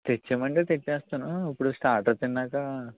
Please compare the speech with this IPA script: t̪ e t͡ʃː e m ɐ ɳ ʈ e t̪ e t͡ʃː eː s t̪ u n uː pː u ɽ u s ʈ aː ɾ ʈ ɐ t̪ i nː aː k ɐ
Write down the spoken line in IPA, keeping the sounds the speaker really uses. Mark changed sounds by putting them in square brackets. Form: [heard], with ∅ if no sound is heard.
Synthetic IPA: t̪ e t͡ʃː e m ɐ ɳ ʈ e t̪ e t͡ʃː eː s t̪ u n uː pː u ɽ u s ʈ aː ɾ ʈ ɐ t̪ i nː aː k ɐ